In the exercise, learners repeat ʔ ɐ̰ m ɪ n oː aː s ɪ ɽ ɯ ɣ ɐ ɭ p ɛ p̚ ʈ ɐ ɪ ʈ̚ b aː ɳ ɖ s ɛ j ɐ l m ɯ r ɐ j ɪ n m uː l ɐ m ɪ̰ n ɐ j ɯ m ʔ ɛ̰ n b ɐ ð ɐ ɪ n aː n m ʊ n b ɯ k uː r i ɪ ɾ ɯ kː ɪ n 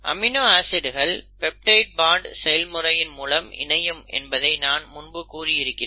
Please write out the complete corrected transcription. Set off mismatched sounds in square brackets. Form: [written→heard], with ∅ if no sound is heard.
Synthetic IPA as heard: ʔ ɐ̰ m ɪ n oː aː s ɪ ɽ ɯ ɣ ɐ ɭ p ɛ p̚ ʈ ɐ ɪ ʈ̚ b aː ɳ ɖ s ɛ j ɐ l m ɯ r ɐ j ɪ n m uː l ɐ m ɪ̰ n ɐ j ɯ m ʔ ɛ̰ n b ɐ ð ɐ ɪ n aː n m ʊ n b ɯ k uː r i ɪ ɾ ɯ kː ɪ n